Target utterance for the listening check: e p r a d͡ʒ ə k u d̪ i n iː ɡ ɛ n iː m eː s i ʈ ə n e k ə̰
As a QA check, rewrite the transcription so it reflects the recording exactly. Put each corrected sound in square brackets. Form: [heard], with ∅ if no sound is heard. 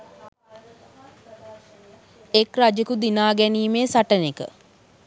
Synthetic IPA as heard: e [k] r a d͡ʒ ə k u d̪ i n [aː] ɡ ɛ n iː m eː s [a] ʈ ə n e k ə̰